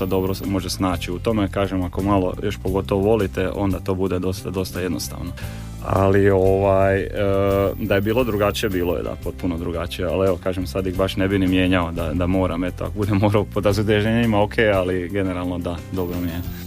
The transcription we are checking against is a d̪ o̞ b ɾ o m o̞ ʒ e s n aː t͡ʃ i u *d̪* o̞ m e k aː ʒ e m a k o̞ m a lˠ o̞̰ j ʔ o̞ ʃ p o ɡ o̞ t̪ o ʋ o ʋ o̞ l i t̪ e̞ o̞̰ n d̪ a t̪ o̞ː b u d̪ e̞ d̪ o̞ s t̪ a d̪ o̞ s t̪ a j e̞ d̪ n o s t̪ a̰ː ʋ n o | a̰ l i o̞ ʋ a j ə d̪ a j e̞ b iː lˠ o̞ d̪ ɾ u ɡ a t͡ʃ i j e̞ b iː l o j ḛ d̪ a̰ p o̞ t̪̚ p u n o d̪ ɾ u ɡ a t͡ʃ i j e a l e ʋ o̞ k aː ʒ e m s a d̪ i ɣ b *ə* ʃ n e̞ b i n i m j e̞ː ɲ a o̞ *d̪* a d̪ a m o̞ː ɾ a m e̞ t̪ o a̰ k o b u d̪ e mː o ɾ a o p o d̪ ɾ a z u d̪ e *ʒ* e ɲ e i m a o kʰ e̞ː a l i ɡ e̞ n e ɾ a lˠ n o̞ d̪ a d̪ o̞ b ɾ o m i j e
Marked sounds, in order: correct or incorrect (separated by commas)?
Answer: incorrect, incorrect, correct, correct